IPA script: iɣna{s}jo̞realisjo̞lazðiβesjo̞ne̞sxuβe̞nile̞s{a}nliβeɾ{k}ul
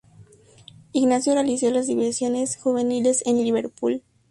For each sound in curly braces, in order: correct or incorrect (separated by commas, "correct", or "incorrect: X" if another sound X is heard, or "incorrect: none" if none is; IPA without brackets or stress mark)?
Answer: correct, incorrect: e, incorrect: p